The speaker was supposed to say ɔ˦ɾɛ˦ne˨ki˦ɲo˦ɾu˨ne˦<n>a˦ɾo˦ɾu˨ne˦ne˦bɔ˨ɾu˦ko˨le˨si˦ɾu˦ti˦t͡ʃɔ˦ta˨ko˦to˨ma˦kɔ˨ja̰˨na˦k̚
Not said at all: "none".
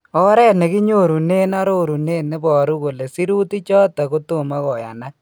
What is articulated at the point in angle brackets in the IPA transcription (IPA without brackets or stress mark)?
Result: n